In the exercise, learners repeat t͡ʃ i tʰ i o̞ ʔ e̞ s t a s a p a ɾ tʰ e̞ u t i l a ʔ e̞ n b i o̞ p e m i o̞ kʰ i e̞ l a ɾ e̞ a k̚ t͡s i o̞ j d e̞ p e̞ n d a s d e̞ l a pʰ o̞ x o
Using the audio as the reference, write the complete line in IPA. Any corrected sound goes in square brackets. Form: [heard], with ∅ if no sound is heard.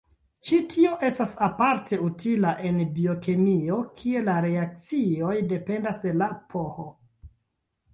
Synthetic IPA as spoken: t͡ʃ i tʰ i o̞ ʔ e̞ s t a s a p a ɾ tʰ e̞ u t i l a ʔ e̞ n b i o̞ [k] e m i o̞ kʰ i e̞ l a ɾ e̞ a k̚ t͡s i o̞ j d e̞ p e̞ n d a s d e̞ l a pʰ o̞ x o